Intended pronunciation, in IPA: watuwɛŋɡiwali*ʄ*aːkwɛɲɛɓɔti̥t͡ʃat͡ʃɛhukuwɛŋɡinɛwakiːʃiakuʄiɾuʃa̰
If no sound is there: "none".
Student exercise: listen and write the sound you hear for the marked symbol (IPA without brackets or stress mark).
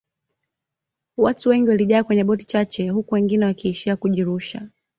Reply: ʄ